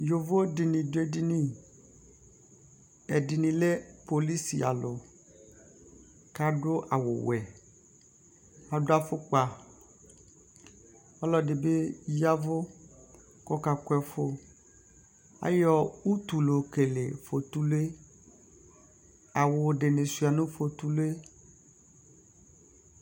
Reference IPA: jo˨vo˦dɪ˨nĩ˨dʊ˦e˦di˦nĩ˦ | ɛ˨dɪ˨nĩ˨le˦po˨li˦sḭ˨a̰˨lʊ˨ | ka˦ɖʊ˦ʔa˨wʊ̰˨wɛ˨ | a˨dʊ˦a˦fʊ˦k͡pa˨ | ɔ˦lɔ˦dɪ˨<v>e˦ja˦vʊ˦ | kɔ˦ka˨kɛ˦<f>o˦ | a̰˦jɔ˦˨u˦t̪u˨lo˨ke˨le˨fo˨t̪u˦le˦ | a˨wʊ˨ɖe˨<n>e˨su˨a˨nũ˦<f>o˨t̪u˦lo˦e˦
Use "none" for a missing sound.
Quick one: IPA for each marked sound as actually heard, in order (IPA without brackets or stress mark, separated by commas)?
b, f, n, f